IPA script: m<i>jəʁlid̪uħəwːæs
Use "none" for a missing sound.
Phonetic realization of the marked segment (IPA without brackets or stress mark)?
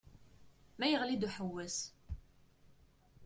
æ